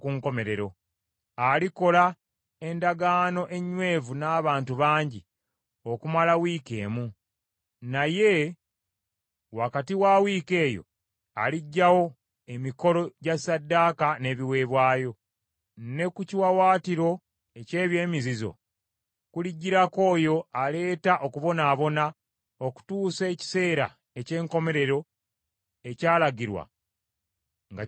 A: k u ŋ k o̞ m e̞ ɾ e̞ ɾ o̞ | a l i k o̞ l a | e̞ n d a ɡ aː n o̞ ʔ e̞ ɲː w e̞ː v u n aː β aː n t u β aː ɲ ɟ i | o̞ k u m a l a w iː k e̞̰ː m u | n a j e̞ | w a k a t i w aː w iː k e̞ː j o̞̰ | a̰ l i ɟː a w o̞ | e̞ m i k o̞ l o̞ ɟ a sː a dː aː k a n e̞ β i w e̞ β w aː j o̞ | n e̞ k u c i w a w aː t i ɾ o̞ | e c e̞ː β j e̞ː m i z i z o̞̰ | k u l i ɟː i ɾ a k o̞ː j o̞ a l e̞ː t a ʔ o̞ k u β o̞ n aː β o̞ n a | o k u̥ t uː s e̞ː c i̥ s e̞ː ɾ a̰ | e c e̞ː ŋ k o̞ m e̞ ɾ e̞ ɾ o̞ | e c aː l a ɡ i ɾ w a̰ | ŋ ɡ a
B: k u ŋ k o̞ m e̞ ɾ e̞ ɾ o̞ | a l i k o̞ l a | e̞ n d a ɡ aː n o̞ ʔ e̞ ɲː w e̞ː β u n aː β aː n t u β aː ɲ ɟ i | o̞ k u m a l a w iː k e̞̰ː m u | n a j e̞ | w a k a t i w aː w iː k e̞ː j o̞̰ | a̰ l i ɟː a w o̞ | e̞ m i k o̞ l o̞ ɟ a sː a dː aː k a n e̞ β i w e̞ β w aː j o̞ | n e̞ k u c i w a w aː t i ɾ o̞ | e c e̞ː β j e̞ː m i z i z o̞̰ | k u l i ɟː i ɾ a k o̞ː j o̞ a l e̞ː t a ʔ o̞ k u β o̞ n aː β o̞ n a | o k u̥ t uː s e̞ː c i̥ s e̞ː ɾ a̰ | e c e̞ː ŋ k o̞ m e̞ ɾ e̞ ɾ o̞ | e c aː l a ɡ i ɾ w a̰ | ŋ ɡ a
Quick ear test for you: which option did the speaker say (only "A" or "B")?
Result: A